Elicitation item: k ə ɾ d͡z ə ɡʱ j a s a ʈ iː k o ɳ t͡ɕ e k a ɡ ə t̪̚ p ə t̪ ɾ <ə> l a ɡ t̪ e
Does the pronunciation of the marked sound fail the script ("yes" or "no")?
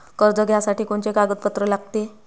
no